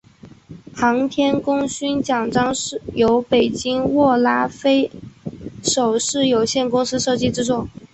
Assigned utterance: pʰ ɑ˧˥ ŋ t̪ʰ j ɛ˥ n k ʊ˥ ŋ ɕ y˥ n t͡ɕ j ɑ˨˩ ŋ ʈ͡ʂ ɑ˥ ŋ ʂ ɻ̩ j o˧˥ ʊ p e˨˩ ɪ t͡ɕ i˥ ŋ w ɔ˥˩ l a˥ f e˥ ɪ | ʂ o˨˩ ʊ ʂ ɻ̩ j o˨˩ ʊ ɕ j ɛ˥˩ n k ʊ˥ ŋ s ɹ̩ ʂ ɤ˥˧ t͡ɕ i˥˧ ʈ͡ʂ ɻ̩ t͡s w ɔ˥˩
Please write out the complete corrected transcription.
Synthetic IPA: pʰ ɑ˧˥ ŋ t̪ʰ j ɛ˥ n k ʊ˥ ŋ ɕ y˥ n t͡ɕ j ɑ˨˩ ŋ ʈ͡ʂ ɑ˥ ŋ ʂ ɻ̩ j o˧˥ ʊ p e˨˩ ɪ t͡ɕ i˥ ŋ w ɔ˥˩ l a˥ f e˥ ɪ | ʂ o˨˩ ʊ ʂ ɻ̩ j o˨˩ ʊ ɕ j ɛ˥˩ n k ʊ˥ ŋ s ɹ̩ ʂ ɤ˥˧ t͡ɕ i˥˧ ʈ͡ʂ ɻ̩ t͡s w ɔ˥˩